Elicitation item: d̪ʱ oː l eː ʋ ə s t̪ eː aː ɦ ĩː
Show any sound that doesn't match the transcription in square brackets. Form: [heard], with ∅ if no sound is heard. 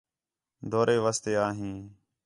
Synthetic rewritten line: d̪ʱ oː [ɾ] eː ʋ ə s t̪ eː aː ɦ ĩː